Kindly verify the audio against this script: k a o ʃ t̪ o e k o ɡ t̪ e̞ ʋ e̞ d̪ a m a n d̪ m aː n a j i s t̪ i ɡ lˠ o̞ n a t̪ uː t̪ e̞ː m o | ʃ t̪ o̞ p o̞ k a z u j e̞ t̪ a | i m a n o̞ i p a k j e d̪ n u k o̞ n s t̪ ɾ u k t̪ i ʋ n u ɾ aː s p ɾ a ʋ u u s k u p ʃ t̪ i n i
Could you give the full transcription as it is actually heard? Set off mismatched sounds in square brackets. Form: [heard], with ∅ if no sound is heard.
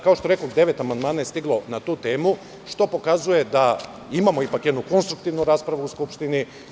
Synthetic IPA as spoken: k a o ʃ t̪ o e k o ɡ [d̪] e̞ ʋ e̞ [t̪] a m a n d̪ m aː n a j [e] s t̪ i ɡ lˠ o̞ n a t̪ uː t̪ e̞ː m [u] | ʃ t̪ o̞ p o̞ k a z u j e̞ [d̪] a | i m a [m] o̞ i p a k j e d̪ n u k o̞ n s t̪ ɾ u k t̪ i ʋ n u ɾ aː s p ɾ a ʋ u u s k u p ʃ t̪ i n i